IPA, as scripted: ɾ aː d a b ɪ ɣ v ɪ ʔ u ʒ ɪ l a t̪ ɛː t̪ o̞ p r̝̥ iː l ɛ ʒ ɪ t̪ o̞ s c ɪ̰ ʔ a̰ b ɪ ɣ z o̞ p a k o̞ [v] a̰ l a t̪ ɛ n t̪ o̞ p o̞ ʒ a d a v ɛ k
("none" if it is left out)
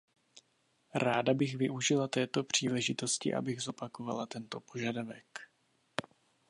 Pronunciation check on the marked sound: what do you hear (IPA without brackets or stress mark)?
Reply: v